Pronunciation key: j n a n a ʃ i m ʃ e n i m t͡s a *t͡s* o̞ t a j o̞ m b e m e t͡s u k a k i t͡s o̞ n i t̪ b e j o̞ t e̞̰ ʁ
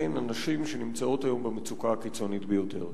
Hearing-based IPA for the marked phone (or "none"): none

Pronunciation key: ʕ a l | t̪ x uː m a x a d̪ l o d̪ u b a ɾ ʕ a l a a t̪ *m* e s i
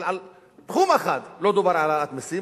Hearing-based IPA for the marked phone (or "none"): m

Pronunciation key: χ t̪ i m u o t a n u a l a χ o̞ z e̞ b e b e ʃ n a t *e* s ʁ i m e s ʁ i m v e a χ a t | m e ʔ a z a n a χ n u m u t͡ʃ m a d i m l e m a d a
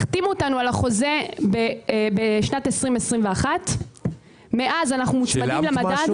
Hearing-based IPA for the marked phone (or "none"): e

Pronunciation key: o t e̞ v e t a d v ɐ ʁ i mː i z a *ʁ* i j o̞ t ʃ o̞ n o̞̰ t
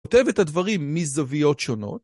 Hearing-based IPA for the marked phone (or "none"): v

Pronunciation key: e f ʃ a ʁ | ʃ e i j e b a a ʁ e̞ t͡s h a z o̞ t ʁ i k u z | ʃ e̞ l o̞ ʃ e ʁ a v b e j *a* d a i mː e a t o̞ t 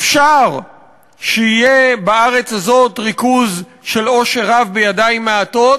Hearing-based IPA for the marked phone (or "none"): a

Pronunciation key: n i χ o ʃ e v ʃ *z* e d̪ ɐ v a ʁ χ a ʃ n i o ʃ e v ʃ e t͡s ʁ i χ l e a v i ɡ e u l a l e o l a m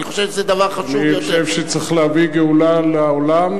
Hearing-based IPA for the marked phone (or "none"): z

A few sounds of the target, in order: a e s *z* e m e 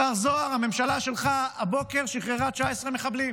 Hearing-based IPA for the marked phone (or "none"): ʁ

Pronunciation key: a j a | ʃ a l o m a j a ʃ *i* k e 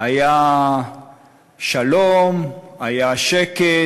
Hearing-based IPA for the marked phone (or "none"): e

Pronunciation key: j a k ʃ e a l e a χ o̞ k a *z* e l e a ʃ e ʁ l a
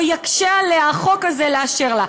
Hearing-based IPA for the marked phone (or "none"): z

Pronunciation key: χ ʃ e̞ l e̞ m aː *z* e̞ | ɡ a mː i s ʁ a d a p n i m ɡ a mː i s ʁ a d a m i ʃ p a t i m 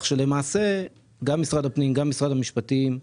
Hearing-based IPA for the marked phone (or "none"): s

